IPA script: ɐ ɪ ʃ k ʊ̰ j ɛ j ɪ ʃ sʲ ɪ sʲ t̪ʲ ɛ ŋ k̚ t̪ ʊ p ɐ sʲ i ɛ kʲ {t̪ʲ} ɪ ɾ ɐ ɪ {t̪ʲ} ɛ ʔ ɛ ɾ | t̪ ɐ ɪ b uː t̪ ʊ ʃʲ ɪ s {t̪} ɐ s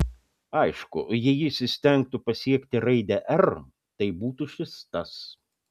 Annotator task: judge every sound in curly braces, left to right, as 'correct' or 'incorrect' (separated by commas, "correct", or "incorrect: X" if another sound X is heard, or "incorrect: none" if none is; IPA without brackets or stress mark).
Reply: correct, incorrect: d̪ʲ, correct